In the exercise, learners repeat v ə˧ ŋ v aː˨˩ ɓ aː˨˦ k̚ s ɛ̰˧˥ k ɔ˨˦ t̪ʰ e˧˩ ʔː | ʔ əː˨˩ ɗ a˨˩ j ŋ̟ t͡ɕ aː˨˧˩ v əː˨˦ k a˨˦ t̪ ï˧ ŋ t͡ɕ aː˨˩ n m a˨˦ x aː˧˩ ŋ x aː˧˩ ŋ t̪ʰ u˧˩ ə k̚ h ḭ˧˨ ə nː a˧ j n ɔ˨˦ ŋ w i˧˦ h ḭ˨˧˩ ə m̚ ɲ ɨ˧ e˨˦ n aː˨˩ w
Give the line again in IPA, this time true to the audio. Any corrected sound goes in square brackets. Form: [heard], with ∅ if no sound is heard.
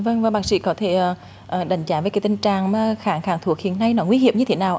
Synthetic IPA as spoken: v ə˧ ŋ v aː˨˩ ɓ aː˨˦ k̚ s [ḭ˧˥] k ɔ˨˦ t̪ʰ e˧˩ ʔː | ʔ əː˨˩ ɗ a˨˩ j ŋ̟ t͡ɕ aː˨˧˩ v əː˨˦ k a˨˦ t̪ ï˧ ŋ t͡ɕ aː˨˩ [ŋ] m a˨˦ x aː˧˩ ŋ x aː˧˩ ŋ t̪ʰ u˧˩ ə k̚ h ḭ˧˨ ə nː a˧ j n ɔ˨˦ ŋ w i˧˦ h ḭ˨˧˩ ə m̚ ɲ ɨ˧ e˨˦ n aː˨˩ w